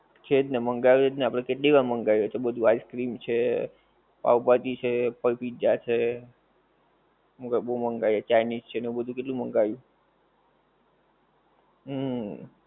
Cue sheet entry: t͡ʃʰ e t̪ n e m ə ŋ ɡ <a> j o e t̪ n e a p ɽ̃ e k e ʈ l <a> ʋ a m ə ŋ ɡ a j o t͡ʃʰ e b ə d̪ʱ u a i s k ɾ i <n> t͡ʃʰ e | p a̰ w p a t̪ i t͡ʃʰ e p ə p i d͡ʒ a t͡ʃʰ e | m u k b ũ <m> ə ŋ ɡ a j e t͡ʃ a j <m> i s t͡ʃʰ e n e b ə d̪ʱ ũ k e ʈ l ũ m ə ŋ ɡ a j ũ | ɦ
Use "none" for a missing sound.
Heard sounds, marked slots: a, i, m, m, n

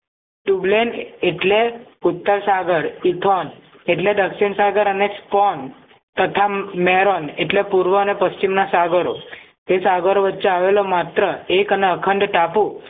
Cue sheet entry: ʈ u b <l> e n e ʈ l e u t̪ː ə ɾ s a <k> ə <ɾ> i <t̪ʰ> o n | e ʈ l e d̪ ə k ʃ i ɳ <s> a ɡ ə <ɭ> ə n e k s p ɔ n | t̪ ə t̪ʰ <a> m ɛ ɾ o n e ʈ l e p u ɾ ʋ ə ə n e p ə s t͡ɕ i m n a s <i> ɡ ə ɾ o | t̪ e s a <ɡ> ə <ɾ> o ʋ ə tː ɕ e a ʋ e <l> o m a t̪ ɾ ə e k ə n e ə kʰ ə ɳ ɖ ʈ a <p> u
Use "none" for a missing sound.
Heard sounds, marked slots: l, ɡ, ɾ, t̪ʰ, s, ɾ, a, a, ɡ, ɾ, l, p

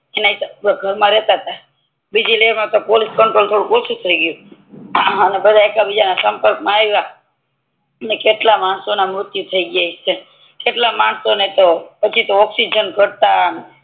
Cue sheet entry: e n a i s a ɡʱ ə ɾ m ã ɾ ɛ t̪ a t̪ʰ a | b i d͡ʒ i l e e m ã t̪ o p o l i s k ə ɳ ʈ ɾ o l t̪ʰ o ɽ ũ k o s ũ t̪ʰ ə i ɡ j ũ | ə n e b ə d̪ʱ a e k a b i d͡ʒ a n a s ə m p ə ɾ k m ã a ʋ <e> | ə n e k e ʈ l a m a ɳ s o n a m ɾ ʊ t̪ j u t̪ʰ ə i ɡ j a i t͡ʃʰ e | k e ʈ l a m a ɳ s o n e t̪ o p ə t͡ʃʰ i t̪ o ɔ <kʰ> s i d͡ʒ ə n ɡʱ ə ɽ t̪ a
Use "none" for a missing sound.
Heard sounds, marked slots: a, k

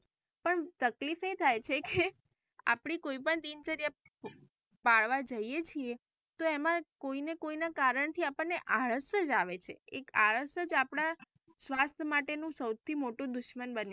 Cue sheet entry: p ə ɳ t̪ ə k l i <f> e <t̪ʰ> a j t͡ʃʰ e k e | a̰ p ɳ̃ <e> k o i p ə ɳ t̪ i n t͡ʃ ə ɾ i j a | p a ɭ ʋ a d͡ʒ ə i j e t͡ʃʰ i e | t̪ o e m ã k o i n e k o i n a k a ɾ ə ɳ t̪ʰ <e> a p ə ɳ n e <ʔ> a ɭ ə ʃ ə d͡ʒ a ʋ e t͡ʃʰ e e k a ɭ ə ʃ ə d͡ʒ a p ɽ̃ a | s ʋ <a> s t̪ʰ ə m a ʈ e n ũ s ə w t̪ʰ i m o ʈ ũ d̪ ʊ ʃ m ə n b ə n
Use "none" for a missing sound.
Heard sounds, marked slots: f, t̪ʰ, i, i, ʔ, a

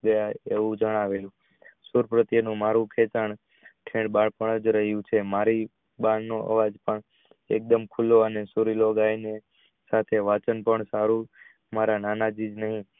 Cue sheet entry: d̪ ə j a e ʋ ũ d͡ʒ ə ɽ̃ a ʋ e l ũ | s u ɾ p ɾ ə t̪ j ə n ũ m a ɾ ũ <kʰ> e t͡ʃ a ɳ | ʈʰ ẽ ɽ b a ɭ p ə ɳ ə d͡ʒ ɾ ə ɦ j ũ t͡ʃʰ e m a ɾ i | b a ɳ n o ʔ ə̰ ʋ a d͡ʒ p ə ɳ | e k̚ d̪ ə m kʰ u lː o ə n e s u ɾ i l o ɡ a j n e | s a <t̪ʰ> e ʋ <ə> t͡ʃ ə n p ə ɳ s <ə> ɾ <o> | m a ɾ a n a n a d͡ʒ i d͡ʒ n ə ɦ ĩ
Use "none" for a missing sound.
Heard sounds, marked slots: kʰ, t̪ʰ, a, a, u

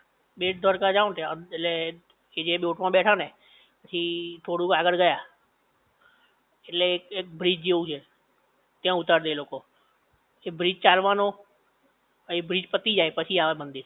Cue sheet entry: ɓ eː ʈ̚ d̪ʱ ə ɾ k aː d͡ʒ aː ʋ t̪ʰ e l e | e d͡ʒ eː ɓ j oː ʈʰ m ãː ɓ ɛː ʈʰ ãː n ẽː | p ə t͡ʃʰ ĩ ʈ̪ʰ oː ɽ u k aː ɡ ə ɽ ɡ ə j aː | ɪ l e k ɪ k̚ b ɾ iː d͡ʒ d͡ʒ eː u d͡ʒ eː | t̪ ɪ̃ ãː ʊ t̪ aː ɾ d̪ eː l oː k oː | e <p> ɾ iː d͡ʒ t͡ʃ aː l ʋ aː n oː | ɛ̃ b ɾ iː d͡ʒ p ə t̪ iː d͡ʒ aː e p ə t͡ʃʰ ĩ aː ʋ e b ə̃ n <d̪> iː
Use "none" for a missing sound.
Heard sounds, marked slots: b, d̪

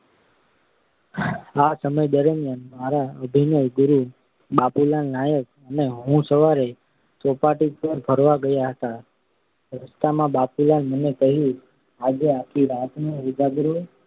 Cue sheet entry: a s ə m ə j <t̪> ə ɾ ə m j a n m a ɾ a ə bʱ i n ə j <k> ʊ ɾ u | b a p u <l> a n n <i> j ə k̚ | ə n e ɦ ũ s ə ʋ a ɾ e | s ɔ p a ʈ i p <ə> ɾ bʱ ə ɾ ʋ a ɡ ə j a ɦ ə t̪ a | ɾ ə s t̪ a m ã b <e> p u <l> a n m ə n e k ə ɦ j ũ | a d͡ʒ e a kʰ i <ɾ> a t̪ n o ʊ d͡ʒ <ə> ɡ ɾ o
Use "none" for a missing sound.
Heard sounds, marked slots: d̪, ɡ, l, a, ə, a, l, ɾ, a

